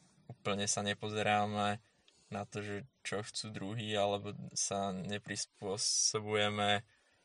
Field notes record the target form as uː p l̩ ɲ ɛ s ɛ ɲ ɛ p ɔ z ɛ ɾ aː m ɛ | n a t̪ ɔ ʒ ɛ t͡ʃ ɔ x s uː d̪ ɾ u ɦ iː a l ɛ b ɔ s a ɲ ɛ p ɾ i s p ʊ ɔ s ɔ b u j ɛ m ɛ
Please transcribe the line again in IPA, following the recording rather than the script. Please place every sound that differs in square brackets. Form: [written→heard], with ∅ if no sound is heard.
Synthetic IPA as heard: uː p l̩ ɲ ɛ s [ɛ→a] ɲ ɛ p ɔ z ɛ ɾ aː m ɛ | n a t̪ ɔ ʒ ɛ t͡ʃ ɔ x [s→t͡s] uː d̪ ɾ u ɦ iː a l ɛ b ɔ s a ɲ ɛ p ɾ i s p ʊ ɔ s ɔ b u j ɛ m ɛ